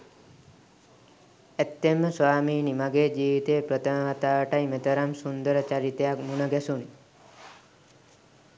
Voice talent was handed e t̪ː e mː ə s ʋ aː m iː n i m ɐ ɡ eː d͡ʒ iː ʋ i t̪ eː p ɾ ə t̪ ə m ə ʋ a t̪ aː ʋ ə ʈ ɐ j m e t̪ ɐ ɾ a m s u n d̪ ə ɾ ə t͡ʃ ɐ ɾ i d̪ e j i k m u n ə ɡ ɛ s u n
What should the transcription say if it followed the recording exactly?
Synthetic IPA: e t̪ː e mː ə s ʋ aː m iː n i m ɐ ɡ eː d͡ʒ iː ʋ i t̪ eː p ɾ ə t̪ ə m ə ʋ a t̪ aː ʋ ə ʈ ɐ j m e t̪ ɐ ɾ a m s u n d̪ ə ɾ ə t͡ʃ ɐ ɾ i t̪ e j a k m u n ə ɡ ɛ s u n